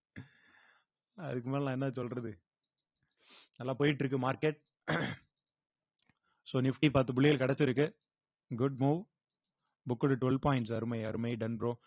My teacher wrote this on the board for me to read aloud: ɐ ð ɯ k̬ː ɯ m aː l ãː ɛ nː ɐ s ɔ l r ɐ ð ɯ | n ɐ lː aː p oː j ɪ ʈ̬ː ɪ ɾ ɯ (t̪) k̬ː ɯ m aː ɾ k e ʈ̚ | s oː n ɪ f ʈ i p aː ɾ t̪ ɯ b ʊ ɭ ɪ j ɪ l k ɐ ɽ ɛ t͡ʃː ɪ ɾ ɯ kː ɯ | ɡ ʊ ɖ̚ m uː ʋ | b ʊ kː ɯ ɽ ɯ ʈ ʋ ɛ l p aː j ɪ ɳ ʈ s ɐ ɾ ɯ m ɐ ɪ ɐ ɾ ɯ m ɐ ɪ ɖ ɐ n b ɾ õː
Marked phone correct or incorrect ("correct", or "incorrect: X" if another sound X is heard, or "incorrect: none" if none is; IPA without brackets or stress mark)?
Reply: incorrect: none